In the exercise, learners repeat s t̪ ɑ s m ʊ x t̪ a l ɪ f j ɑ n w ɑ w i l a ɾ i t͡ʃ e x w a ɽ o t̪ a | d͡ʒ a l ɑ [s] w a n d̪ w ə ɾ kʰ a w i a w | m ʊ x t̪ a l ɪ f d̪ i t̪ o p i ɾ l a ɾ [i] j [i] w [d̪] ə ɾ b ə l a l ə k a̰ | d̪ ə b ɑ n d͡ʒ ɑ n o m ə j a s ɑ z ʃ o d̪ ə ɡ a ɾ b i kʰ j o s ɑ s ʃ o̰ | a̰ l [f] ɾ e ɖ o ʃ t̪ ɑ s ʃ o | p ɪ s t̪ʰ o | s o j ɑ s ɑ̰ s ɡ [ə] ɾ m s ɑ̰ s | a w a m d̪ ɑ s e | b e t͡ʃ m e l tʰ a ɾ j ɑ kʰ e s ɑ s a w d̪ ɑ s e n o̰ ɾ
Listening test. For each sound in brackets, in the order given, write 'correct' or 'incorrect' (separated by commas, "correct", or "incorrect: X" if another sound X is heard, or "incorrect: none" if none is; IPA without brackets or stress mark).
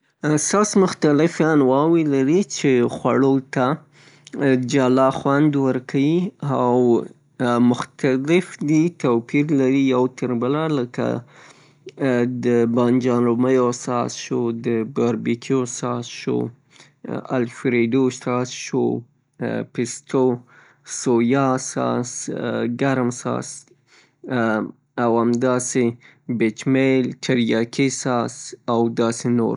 incorrect: x, correct, incorrect: a, incorrect: t̪, correct, incorrect: a